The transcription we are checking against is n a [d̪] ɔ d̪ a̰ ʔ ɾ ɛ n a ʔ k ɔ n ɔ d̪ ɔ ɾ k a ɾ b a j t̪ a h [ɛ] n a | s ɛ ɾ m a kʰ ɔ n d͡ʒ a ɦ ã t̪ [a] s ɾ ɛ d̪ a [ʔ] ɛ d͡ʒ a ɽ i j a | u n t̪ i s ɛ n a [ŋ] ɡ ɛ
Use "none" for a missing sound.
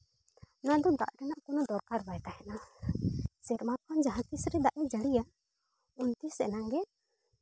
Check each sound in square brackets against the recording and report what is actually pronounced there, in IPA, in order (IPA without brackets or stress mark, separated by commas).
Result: d̪, ɛ, i, ʔ, ŋ